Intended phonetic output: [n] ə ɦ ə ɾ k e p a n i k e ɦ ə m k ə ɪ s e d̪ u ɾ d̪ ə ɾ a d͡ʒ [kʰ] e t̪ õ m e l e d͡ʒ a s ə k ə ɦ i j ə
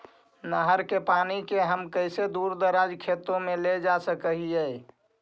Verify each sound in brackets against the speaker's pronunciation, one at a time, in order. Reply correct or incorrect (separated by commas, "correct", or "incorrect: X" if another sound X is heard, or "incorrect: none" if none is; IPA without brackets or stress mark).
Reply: correct, correct